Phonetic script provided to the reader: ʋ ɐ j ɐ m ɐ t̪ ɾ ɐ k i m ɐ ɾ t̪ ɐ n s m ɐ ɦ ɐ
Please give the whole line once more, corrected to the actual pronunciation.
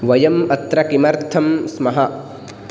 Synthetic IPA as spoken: ʋ ɐ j ɐ m ɐ t̪ ɾ ɐ k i m ɐ ɾ t̪ʰ ɐ m s m ɐ ɦ ɐ